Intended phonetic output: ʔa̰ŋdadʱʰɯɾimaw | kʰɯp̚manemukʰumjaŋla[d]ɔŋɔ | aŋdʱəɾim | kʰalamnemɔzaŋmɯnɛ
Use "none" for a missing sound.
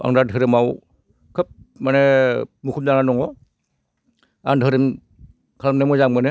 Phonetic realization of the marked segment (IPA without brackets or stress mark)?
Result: n